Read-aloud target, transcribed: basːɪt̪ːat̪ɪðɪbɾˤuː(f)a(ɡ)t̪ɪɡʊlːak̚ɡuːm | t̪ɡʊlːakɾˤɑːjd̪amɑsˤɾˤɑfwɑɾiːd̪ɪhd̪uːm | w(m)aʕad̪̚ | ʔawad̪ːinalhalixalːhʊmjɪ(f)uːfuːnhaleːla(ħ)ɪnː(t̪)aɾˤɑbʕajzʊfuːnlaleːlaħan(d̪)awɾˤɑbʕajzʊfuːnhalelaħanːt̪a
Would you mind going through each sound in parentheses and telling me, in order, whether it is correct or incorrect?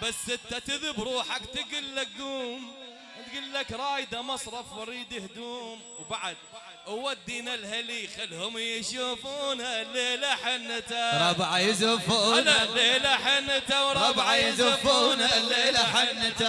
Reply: incorrect: ħ, incorrect: k, incorrect: b, incorrect: ʃ, correct, correct, incorrect: t̪

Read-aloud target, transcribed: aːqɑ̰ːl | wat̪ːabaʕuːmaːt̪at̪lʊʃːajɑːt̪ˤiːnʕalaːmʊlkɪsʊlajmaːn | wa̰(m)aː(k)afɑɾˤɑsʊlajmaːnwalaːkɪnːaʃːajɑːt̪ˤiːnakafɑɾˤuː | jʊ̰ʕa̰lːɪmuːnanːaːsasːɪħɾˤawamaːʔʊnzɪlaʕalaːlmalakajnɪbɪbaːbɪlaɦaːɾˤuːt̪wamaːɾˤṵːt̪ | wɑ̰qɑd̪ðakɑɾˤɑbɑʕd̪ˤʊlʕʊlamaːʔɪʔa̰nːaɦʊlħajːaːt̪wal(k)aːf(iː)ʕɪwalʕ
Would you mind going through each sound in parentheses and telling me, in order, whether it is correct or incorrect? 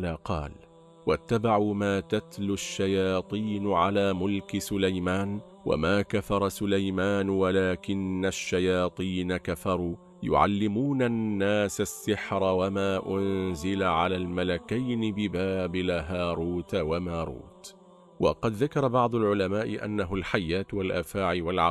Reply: correct, correct, incorrect: ʔ, incorrect: aː

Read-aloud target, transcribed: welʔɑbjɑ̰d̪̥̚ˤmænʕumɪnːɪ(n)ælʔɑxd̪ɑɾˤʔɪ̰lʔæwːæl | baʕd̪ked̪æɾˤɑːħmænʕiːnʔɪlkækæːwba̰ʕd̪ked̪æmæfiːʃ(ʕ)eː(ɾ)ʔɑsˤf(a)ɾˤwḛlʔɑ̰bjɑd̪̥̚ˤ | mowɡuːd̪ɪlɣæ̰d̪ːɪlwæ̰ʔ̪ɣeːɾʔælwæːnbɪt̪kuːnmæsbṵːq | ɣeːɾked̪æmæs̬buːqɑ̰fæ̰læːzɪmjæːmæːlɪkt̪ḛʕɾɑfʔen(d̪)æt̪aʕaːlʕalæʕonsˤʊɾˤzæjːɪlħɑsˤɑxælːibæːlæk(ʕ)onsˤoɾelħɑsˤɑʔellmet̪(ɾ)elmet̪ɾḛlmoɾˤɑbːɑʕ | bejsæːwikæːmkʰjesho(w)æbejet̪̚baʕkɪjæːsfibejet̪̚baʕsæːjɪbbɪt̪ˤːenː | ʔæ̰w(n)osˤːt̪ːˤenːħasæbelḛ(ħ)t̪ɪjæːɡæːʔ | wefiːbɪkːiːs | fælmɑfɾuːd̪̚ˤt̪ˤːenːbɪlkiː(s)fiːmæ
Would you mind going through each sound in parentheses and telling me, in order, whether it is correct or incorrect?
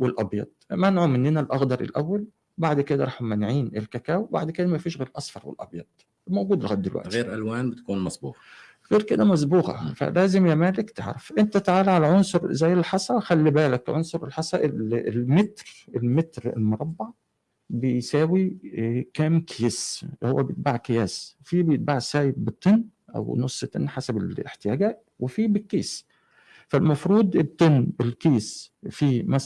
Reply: correct, incorrect: ɣ, correct, incorrect: ɑ, incorrect: t̪, correct, correct, incorrect: wː, correct, correct, correct

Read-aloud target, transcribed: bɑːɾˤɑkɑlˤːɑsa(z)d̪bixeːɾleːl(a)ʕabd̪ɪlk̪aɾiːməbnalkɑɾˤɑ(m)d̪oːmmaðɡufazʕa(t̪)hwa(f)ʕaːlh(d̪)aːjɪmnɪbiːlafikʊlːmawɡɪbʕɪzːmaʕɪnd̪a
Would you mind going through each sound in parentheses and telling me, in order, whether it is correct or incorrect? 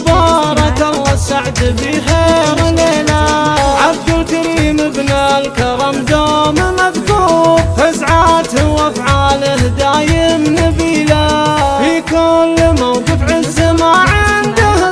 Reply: incorrect: ʕ, correct, correct, correct, correct, correct

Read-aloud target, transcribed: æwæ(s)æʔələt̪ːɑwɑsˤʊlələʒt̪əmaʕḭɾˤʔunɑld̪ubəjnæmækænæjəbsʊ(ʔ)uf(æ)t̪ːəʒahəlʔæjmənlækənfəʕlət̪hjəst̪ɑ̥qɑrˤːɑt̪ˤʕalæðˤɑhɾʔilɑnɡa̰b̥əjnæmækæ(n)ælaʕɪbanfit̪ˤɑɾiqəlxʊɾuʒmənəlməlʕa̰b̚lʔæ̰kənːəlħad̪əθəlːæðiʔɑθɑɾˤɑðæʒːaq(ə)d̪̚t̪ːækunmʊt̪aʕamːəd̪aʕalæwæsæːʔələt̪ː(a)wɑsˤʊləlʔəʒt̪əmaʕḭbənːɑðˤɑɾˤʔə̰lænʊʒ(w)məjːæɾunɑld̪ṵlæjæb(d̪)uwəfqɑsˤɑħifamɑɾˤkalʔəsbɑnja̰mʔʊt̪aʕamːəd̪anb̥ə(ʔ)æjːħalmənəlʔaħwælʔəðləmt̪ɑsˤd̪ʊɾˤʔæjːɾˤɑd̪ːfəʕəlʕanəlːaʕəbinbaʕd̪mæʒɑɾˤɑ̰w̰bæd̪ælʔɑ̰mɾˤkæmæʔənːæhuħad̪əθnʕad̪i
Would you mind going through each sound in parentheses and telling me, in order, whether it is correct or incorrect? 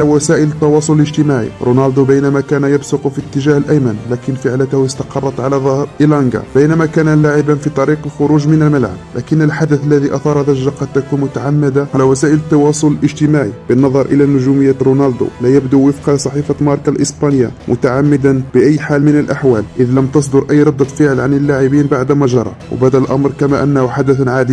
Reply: correct, incorrect: q, incorrect: i, correct, incorrect: ɑ, incorrect: ɑ, incorrect: u, correct, correct

